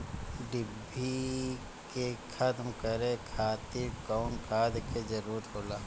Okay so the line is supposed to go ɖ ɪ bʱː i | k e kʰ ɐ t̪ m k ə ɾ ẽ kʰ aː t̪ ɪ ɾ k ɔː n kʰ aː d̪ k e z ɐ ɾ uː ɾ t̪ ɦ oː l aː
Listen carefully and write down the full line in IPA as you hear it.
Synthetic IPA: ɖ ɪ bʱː i | k e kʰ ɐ t̪ m k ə ɾ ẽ kʰ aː t̪ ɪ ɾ k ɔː n kʰ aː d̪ k e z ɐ ɾ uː ɾ t̪ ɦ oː l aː